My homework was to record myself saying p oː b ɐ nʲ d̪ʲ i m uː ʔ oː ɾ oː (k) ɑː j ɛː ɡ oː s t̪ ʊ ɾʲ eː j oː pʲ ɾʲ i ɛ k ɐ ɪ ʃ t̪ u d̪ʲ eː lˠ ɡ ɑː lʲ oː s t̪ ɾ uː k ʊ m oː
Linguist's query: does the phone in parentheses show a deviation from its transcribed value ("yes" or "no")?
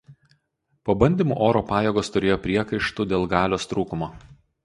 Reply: yes